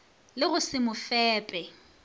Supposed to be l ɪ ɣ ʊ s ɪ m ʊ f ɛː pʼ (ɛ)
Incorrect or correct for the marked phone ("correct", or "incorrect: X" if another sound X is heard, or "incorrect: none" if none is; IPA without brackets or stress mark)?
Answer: correct